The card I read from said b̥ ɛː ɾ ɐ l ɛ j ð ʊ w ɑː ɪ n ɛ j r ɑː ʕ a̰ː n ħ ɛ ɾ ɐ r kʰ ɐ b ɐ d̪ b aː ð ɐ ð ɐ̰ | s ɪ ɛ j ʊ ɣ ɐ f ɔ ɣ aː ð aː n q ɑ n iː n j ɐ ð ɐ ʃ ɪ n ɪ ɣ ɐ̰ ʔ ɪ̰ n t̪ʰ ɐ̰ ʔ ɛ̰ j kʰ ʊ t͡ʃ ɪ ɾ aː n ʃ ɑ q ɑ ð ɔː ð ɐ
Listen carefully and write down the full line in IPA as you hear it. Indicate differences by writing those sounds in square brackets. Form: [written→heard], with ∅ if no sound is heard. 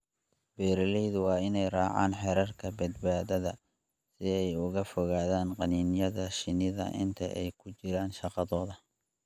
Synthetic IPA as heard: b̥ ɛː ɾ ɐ l ɛ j ð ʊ w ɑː ɪ n ɛ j r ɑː ʕ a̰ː n ħ ɛ ɾ ɐ r kʰ ɐ b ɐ d̪ b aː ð ɐ ð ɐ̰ | s ɪ ɛ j ʊ ɣ ɐ f ɔ ɣ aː ð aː n q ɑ n iː n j ɐ ð ɐ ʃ ɪ n ɪ [ɣ→ð] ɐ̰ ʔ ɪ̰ n t̪ʰ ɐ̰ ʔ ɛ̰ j kʰ ʊ t͡ʃ ɪ ɾ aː n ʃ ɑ q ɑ ð ɔː ð ɐ

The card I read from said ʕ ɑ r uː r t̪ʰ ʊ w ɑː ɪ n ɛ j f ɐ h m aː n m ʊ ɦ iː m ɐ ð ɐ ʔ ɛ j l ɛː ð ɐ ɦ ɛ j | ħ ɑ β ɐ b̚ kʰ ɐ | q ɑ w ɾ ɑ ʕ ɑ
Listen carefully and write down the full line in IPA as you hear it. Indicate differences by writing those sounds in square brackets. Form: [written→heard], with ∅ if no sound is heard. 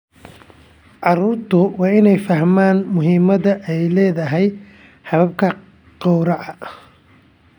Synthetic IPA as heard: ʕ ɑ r uː r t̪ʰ ʊ w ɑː ɪ n ɛ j f ɐ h m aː n m ʊ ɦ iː m ɐ ð ɐ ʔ ɛ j l ɛː ð ɐ ɦ ɛ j | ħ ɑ β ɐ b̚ kʰ ɐ | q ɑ w ɾ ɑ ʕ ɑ

